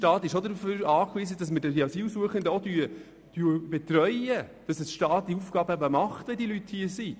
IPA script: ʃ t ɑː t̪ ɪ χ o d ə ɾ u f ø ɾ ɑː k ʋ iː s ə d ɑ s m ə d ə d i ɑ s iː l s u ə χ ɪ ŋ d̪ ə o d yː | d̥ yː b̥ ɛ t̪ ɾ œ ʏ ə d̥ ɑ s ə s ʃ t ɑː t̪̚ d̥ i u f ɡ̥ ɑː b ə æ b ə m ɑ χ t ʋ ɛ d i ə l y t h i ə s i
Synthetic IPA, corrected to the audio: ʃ t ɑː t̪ ɪ ʃ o d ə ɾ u f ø ɾ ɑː k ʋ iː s ə d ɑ s m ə d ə d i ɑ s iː l s u ə χ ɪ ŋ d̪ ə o d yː | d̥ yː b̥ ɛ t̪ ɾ œ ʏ ə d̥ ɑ s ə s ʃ t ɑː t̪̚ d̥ i u f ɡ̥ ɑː b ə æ b ə m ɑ χ t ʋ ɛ d i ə l y t h i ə s i